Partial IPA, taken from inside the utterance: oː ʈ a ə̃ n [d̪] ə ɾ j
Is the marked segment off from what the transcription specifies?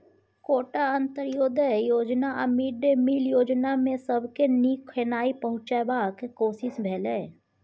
yes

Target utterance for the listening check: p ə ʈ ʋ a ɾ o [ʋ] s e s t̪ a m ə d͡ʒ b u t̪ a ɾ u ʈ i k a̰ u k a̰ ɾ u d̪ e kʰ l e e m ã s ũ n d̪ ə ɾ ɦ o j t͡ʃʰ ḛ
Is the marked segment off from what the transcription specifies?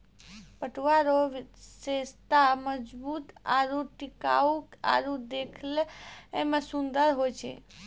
no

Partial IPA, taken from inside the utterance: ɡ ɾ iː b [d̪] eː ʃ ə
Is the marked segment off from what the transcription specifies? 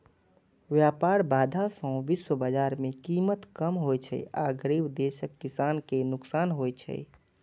no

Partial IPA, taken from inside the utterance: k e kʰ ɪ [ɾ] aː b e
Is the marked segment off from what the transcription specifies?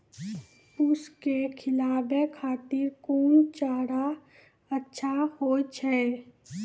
yes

